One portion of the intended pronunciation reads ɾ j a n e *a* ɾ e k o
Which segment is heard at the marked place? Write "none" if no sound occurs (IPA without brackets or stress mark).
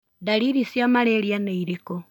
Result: i